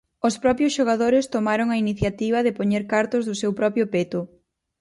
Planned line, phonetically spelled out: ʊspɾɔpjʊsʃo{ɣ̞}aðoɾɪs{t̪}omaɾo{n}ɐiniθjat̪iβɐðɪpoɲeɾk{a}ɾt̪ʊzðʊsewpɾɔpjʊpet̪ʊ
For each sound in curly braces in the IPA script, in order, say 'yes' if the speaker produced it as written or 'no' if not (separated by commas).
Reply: yes, yes, no, yes